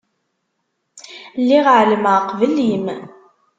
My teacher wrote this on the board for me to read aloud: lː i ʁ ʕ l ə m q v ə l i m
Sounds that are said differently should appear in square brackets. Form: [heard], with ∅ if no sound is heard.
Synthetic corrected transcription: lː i ʁ ʕ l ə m q v ə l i m

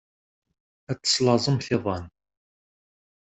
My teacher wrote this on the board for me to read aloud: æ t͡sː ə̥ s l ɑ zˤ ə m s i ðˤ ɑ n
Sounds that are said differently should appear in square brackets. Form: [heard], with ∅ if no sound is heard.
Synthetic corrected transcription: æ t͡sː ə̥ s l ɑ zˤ ə m [θ] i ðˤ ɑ n

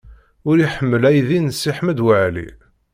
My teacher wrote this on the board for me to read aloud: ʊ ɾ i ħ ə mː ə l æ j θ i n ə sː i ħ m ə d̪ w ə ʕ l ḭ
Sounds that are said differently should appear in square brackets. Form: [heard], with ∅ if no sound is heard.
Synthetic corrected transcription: ʊ ɾ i ħ ə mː ə l æ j [ð] i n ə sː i ħ m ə d̪ w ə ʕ l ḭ

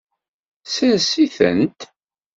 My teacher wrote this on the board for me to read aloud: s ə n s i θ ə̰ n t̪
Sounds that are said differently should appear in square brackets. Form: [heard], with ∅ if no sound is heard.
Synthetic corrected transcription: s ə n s i θ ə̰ n t̪

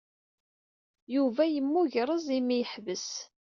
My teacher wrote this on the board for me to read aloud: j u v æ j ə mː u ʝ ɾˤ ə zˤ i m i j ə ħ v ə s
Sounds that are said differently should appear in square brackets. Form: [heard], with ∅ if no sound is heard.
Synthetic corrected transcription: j u v æ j ə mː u ʝ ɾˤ ə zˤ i m i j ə ħ v ə s

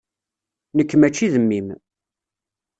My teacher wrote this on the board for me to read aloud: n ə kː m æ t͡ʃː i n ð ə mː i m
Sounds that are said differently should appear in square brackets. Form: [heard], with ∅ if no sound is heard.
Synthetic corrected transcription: n ə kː m æ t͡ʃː i [∅] ð ə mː i m

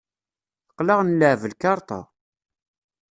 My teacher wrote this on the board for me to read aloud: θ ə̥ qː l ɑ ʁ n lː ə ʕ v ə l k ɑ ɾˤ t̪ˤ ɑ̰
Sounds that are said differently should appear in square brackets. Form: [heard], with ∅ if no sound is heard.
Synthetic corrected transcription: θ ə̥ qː l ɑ ʁ n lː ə ʕ v ə l k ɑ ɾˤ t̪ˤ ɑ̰

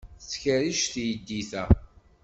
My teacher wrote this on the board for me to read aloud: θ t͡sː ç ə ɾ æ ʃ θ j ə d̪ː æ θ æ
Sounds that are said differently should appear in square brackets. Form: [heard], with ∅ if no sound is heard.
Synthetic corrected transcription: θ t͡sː ç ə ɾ [i] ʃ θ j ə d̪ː [i] θ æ

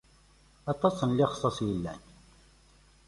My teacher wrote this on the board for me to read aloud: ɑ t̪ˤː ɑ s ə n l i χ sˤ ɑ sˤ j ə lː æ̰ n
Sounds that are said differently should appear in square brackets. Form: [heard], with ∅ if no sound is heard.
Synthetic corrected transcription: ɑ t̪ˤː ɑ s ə n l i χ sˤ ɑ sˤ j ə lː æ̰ n

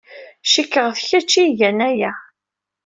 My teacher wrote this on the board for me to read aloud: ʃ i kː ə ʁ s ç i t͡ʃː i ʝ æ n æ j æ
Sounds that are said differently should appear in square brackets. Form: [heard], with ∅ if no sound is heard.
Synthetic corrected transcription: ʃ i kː ə ʁ [θ] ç [æ] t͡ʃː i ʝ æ n æ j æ

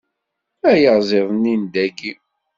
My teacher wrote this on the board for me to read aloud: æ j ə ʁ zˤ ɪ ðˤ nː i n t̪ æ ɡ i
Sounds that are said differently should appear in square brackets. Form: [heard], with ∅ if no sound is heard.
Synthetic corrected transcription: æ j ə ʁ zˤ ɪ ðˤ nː i n [d̪] æ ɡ i

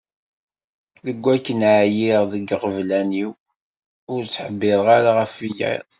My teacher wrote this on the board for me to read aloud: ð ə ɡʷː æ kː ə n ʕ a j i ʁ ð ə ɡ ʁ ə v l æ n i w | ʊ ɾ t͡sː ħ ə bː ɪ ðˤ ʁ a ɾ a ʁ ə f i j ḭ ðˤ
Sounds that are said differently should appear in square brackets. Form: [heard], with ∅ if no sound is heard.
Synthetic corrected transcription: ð ə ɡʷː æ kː ə n ʕ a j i ʁ ð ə ɡ ʁ ə v l æ n i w | ʊ ɾ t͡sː ħ ə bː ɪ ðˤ ʁ a ɾ a ʁ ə f i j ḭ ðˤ

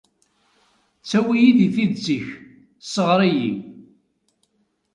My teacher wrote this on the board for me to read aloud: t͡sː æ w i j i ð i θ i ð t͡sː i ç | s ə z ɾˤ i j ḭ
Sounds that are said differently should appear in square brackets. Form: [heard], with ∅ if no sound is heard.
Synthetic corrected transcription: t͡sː æ w i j i ð i θ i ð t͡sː i ç | s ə [ʁ] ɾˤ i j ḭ

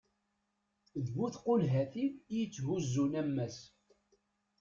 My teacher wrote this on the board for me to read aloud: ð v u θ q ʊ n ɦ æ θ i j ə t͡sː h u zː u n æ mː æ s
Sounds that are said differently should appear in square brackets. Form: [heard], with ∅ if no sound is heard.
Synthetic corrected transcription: ð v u θ q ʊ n ɦ æ θ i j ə t͡sː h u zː u n æ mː æ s

